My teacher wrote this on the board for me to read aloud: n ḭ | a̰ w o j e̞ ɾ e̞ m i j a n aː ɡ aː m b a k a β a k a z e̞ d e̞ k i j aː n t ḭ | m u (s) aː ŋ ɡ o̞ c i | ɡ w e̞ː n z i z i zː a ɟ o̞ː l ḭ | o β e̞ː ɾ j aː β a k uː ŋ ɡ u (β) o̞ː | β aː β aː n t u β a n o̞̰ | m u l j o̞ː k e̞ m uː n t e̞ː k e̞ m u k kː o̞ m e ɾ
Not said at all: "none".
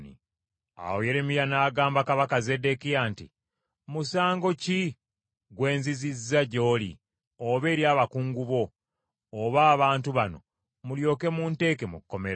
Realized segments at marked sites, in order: s, β

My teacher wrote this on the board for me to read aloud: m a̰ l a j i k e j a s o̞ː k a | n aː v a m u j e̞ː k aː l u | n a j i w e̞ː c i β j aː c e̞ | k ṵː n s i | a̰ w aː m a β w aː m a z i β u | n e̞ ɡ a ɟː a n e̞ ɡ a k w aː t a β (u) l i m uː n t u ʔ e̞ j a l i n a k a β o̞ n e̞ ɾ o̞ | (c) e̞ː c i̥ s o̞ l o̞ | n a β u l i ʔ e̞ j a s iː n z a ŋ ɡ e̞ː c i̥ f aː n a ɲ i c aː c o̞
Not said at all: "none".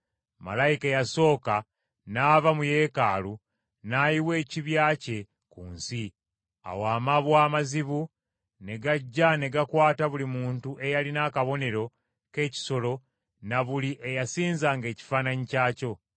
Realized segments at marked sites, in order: u, k

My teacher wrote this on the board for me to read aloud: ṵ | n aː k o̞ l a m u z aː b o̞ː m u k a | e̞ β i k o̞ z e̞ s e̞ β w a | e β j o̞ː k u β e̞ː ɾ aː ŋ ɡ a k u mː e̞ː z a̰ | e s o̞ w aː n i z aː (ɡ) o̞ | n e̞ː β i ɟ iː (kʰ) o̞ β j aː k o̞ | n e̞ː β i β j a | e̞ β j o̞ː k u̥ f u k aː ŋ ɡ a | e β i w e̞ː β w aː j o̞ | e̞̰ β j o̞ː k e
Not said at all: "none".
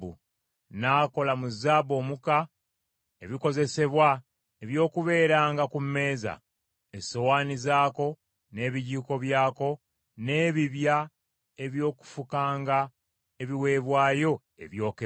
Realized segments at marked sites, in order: k, k

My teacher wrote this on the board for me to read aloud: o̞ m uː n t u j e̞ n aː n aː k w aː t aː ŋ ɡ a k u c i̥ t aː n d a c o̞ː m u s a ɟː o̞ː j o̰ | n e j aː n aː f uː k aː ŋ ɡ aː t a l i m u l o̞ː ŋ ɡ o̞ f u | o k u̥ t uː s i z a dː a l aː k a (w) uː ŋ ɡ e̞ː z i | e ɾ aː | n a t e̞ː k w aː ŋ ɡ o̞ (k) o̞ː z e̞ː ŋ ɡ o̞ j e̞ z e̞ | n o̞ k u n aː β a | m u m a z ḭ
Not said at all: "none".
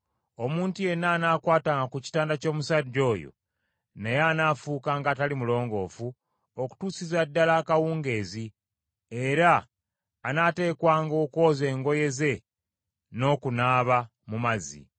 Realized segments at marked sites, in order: w, k

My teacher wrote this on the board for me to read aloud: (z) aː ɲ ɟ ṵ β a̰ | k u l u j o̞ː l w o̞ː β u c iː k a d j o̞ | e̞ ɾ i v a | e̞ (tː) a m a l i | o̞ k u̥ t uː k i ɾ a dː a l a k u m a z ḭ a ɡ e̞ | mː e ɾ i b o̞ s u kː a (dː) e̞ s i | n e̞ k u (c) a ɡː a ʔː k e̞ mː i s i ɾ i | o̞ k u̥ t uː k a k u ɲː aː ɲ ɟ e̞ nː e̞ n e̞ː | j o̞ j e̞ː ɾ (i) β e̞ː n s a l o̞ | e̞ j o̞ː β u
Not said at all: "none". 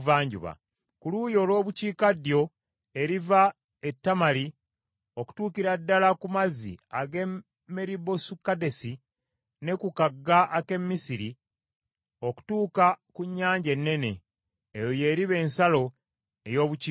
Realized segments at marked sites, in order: v, tː, d, k, i

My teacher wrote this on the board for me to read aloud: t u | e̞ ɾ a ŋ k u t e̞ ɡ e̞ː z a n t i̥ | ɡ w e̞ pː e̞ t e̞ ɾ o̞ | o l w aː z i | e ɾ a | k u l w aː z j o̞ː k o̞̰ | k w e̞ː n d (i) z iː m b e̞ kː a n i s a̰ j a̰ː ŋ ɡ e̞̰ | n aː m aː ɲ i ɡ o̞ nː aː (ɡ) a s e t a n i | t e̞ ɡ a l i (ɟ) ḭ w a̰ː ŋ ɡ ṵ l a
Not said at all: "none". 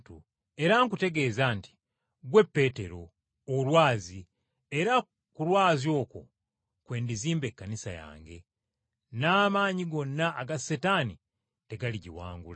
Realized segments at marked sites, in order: i, ɡ, ɟ

